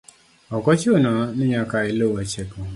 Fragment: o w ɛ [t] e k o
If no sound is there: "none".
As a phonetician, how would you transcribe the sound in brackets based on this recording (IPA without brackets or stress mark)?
t͡ʃ